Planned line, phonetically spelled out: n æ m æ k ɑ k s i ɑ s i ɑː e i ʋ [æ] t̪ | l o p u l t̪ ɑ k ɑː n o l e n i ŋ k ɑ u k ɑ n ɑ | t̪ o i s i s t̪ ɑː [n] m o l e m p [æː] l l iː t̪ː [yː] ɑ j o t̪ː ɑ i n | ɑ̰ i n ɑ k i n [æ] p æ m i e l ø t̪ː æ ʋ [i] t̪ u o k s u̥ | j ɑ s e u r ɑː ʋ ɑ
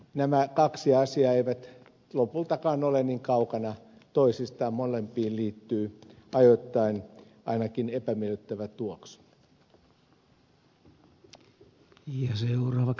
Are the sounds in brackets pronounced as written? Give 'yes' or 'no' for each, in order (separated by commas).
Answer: yes, no, no, yes, no, no